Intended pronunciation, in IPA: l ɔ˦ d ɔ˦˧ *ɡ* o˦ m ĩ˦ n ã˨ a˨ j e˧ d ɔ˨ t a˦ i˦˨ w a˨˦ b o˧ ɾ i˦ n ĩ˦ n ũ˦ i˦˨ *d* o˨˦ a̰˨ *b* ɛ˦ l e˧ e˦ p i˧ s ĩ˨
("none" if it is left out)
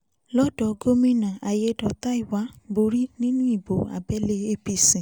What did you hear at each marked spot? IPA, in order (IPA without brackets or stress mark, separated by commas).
ɡ, b, b